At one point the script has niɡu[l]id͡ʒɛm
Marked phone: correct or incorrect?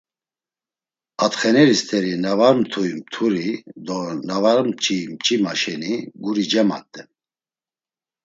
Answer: incorrect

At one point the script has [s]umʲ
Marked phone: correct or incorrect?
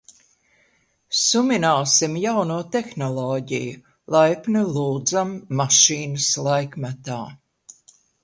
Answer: correct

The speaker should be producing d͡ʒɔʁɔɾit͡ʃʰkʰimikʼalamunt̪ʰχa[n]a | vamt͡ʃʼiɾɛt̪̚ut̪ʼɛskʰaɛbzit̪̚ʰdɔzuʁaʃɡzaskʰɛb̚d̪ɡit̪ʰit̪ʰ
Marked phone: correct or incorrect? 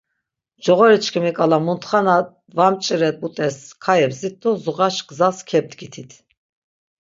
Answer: correct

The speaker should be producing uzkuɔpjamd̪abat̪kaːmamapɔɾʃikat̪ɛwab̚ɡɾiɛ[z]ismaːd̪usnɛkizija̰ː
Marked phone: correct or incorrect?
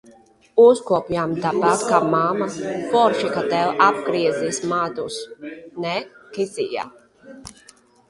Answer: correct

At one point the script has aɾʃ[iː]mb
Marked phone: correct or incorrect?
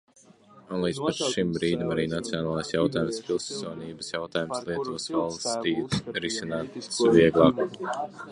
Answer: incorrect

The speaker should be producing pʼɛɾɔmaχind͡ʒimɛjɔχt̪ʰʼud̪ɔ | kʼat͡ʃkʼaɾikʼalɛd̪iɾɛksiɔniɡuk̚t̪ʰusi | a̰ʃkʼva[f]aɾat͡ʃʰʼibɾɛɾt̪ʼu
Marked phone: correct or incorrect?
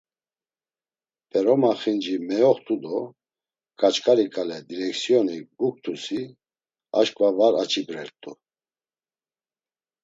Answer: incorrect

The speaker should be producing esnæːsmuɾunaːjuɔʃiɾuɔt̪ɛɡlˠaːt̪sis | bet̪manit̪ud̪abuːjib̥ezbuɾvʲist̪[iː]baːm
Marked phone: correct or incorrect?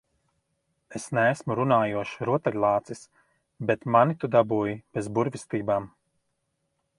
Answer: correct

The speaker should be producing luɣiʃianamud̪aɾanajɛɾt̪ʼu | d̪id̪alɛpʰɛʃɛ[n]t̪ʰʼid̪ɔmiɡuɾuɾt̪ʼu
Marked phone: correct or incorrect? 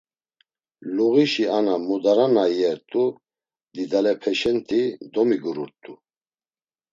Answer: correct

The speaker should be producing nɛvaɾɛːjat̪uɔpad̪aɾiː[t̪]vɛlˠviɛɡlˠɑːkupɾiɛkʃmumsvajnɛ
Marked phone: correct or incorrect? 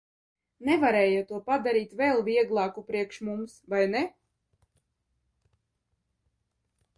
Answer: correct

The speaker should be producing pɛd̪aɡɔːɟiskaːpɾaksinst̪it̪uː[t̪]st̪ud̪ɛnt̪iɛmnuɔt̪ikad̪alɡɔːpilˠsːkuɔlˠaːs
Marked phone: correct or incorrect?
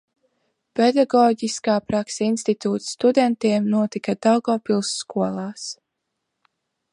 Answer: correct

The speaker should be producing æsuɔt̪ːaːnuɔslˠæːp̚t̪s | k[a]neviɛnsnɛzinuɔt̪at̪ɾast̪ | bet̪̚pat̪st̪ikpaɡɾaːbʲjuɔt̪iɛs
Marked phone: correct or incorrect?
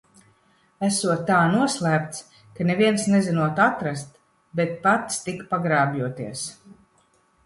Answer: correct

